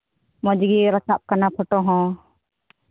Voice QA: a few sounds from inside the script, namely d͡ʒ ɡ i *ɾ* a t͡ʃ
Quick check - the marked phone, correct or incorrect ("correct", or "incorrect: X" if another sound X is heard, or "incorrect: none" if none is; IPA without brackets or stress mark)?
correct